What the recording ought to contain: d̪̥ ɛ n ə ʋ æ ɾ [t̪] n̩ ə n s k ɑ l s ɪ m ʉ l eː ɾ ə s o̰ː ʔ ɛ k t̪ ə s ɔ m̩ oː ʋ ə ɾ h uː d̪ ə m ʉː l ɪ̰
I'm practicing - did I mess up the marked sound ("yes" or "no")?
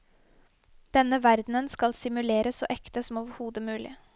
yes